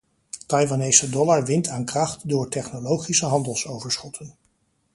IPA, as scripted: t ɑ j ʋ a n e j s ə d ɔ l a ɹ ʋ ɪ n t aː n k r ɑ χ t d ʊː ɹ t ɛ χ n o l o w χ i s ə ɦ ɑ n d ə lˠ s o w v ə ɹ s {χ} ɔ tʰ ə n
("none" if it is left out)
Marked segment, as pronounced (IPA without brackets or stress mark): χ